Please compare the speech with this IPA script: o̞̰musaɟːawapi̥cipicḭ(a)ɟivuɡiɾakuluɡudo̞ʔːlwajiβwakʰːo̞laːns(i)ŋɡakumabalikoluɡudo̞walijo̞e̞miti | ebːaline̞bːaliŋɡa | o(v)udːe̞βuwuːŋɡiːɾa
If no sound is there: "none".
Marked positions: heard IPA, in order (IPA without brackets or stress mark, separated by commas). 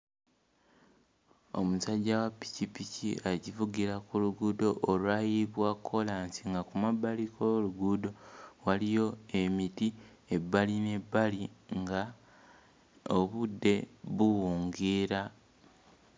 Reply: a, i, β